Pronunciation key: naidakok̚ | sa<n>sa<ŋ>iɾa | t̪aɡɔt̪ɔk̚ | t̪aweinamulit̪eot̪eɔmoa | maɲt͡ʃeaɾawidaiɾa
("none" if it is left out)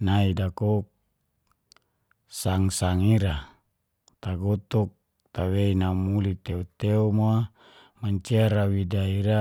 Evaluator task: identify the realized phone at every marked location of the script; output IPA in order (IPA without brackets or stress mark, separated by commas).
ŋ, ŋ